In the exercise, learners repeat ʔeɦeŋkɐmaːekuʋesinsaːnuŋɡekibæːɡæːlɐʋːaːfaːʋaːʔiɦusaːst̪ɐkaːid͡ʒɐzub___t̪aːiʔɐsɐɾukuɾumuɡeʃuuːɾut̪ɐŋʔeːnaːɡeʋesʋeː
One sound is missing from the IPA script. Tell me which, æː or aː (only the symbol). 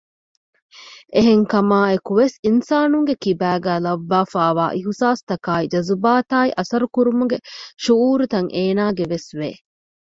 aː